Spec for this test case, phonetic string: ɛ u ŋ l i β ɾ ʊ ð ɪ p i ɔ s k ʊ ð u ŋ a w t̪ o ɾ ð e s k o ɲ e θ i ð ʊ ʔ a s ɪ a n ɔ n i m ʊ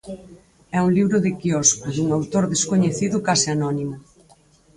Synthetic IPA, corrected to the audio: ɛ u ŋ l i β ɾ ʊ ð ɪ k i ɔ s k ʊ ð u ŋ a w t̪ o ɾ ð e s k o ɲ e θ i ð ʊ k a s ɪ a n ɔ n i m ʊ